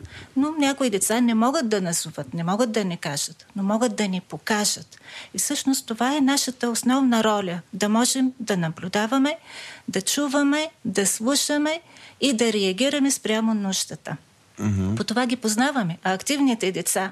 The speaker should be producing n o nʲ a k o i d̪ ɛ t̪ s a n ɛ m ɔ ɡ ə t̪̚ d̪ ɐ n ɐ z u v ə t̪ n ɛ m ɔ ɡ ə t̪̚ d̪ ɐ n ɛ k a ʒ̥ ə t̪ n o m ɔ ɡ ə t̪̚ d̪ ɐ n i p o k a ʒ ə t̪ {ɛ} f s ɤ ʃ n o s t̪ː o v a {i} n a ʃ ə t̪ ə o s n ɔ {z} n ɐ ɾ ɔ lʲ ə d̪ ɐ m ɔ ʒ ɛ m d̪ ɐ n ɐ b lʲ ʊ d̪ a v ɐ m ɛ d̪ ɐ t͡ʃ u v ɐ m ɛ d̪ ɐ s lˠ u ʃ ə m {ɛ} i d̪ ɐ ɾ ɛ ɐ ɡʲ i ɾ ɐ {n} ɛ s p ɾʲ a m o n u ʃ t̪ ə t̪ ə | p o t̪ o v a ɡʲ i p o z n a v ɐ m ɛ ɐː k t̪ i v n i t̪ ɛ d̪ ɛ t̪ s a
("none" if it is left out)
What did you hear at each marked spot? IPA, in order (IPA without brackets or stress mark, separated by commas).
i, ɛ, v, ɛ, m